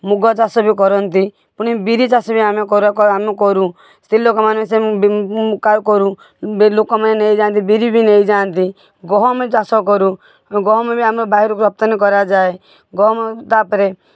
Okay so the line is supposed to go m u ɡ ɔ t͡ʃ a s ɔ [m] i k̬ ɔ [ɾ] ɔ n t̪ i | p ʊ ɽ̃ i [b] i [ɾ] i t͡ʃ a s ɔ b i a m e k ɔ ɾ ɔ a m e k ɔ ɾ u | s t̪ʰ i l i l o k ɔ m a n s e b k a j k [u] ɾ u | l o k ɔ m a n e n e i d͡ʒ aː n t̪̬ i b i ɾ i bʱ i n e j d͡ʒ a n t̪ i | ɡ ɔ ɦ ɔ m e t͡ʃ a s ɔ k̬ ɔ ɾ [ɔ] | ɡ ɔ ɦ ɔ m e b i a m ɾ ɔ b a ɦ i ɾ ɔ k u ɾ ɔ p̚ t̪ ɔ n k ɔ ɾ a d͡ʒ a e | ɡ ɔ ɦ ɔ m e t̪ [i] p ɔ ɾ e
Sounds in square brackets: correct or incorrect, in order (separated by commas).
incorrect, correct, correct, correct, incorrect, incorrect, incorrect